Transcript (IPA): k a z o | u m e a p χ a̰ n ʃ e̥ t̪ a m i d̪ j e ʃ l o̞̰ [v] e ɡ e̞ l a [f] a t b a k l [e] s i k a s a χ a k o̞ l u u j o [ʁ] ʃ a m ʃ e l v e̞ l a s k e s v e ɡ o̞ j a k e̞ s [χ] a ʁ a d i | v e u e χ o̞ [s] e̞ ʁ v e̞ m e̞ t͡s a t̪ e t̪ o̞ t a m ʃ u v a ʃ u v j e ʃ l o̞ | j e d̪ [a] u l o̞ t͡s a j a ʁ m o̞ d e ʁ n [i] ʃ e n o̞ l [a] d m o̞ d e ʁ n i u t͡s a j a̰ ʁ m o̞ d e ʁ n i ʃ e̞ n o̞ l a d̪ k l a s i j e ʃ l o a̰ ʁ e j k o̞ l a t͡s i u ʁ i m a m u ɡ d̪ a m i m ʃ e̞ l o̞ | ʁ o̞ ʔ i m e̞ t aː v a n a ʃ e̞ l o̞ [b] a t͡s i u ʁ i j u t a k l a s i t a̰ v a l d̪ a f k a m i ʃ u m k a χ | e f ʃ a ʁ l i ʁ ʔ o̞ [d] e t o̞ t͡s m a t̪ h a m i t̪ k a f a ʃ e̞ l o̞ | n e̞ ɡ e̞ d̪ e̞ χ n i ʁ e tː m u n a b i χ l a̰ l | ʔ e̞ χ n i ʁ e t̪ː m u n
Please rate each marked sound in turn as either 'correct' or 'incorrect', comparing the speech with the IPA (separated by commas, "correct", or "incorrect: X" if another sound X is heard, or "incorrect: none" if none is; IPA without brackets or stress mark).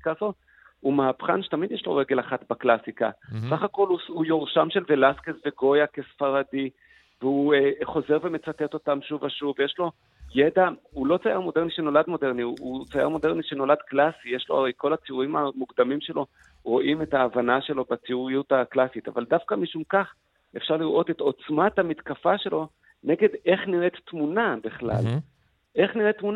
incorrect: ʁ, incorrect: χ, incorrect: a, correct, incorrect: f, incorrect: z, correct, correct, correct, correct, incorrect: t